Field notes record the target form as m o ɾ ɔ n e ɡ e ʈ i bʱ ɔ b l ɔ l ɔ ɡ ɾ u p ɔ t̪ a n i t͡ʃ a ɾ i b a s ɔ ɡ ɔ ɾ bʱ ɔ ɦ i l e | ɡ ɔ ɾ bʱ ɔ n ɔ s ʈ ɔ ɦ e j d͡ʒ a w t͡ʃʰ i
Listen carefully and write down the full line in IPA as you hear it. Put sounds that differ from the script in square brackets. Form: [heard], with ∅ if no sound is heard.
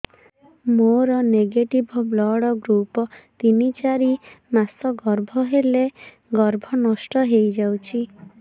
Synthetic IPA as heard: m o ɾ ɔ n e ɡ e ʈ i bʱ ɔ b l ɔ [ɽ] ɔ ɡ ɾ u p ɔ t̪ [i] n i t͡ʃ a ɾ i [m] a s ɔ ɡ ɔ ɾ bʱ ɔ ɦ [e] l e | ɡ ɔ ɾ bʱ ɔ n ɔ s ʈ ɔ ɦ e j d͡ʒ a w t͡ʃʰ i

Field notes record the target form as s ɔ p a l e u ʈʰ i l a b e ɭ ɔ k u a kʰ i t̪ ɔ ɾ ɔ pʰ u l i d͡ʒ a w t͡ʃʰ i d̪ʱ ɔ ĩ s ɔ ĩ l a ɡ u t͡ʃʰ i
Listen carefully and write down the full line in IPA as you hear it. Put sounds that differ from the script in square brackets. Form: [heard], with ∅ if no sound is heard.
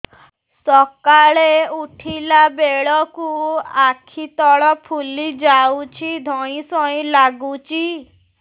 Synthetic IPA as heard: s ɔ [k] a [ɭ] e u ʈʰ i l a b e ɭ ɔ k u a kʰ i t̪ ɔ [ɭ] ɔ pʰ u l i d͡ʒ a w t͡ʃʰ i d̪ʱ ɔ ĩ s ɔ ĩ l a ɡ u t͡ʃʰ i

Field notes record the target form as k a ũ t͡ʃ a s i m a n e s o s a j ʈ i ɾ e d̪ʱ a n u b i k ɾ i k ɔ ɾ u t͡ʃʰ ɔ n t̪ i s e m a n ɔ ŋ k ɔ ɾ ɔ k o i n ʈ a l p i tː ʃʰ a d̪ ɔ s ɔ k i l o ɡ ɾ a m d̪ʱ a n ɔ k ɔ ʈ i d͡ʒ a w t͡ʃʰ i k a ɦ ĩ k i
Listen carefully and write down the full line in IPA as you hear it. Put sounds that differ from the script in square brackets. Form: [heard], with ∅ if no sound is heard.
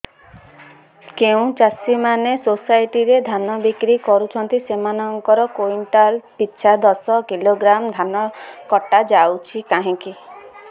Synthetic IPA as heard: k [e] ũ t͡ʃ a s i m a n e s o s a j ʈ i ɾ e d̪ʱ a n [ɔ] b i k ɾ i k ɔ ɾ u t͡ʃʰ ɔ n t̪ i s e m a n ɔ ŋ k ɔ ɾ ɔ k o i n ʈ a l p i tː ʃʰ a d̪ ɔ s ɔ k i l o ɡ ɾ a m d̪ʱ a n ɔ k ɔ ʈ [a] d͡ʒ a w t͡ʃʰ i k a ɦ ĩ k i

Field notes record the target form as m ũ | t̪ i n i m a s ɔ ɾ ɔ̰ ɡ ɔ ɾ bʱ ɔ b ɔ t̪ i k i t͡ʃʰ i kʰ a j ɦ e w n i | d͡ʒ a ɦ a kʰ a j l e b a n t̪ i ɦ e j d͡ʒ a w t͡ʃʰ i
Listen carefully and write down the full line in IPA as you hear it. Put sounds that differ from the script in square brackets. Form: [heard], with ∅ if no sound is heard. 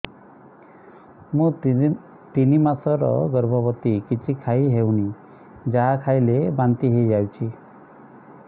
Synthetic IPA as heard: m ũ | t̪ i n i m a s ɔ ɾ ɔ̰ ɡ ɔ ɾ bʱ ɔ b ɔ t̪ i k i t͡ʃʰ i kʰ a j ɦ e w n i | d͡ʒ a ɦ a kʰ a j l e b a n t̪ i ɦ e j d͡ʒ a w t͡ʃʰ i

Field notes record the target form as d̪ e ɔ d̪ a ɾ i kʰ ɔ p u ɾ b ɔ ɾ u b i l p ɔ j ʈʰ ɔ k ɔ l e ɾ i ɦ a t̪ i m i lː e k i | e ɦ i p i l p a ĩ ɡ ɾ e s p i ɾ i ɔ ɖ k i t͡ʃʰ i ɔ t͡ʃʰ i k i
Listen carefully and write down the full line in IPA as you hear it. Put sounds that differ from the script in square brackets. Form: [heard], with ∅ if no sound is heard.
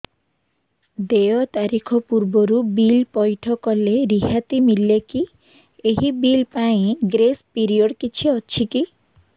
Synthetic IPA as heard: d̪ e ɔ [t̪] a ɾ i kʰ ɔ p u ɾ b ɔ ɾ u b i l p ɔ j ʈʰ ɔ k ɔ l e ɾ i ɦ a t̪ i m i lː e k i | e ɦ i [b] i l p a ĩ ɡ ɾ e s p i ɾ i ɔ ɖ k i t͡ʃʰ i ɔ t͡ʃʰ i k i

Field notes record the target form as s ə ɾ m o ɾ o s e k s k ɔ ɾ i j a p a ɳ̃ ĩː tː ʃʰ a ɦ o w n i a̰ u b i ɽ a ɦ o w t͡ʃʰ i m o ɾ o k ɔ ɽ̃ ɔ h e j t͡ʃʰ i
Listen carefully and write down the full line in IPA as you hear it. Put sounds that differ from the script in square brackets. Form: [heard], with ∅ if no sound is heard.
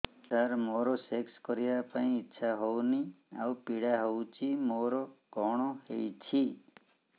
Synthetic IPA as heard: s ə ɾ m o ɾ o s e k s k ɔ ɾ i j a p a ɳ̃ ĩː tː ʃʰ a ɦ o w n i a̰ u [p] i ɽ a ɦ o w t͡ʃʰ i m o ɾ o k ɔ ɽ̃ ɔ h e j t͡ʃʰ i

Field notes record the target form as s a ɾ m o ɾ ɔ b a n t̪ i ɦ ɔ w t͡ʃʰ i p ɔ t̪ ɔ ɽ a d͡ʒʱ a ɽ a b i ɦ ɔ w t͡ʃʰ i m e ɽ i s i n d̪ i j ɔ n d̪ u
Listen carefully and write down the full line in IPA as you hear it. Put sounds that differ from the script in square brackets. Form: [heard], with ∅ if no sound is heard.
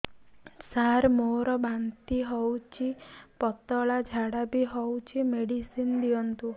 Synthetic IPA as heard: s a ɾ m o ɾ ɔ b a n t̪ i ɦ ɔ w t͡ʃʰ i p ɔ t̪ ɔ [ɭ] a d͡ʒʱ a ɽ a b i ɦ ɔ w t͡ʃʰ i m e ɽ i s i n d̪ i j ɔ n [t̪] u

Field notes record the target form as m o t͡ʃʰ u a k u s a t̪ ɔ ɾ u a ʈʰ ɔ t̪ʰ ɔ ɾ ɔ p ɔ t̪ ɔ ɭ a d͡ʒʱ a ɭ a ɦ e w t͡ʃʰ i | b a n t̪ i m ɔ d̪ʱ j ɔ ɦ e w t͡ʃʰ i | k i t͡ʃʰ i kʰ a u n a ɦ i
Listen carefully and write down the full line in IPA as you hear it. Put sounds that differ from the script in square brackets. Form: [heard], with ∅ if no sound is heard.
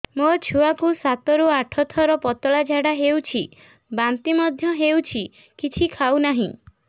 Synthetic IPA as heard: m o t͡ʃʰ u a k u s a t̪ ɔ ɾ u a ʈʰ ɔ t̪ʰ ɔ ɾ ɔ p ɔ t̪ ɔ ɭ a d͡ʒʱ a [ɽ] a ɦ e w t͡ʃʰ i | b a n t̪ i m ɔ d̪ʱ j ɔ ɦ e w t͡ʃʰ i | k i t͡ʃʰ i kʰ a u n a ɦ [ĩ]

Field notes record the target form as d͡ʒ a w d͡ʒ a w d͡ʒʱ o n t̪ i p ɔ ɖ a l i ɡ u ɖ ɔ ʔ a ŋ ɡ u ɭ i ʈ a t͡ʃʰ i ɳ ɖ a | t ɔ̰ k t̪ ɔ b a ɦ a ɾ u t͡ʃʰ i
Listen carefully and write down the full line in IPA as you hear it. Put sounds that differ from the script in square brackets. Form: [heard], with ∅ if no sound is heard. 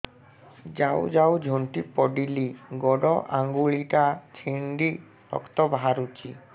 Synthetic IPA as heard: d͡ʒ a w d͡ʒ a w d͡ʒʱ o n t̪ i p ɔ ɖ [i] l i ɡ [ɔ] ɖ ɔ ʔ a ŋ ɡ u ɭ i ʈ a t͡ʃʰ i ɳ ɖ [i] | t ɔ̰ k t̪ ɔ b a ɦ a ɾ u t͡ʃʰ i

